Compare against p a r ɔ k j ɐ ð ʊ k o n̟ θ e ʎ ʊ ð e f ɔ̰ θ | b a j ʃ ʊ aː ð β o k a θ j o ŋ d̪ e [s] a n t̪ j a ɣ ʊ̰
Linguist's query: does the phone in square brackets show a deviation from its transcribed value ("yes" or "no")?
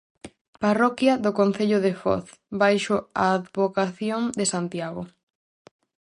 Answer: no